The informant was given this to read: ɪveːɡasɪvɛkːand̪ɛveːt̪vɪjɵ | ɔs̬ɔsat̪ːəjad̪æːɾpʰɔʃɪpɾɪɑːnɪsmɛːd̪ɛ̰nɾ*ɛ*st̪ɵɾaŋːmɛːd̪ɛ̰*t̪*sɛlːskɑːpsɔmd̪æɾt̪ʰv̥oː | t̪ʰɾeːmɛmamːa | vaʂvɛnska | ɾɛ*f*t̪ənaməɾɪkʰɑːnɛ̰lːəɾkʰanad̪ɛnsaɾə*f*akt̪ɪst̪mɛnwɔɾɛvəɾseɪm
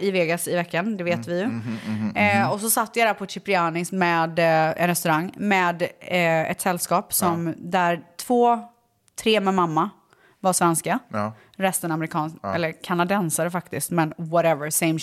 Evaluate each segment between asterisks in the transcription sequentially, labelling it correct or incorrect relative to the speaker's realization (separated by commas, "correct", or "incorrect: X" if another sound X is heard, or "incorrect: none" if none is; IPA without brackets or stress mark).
correct, correct, incorrect: s, correct